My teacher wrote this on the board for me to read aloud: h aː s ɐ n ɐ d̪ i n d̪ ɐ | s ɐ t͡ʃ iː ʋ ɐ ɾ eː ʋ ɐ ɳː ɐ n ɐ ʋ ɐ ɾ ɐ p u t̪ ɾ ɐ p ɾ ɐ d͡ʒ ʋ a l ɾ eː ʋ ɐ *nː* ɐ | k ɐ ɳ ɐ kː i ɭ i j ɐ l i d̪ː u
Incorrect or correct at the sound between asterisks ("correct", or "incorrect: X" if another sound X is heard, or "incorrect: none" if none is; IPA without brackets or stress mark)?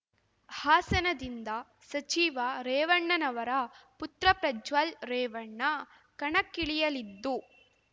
incorrect: ɳː